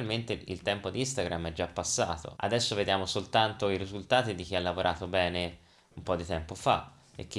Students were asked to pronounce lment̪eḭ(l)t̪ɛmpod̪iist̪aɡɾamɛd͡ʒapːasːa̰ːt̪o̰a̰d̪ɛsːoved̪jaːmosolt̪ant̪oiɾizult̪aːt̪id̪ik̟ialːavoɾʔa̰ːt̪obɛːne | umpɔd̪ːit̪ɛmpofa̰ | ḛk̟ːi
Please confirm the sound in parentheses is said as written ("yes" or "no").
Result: yes